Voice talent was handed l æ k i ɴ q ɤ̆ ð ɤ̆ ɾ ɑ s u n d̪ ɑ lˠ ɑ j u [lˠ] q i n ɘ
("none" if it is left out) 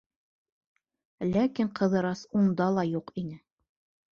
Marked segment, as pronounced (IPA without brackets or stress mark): none